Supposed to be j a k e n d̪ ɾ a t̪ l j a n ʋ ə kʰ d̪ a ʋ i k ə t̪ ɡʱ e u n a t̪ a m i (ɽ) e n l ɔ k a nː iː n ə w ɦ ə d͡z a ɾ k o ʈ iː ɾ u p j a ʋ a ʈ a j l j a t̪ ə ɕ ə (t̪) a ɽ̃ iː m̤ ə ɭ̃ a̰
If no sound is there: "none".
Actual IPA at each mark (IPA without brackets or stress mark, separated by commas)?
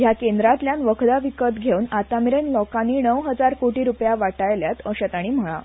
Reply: ɾ, t̪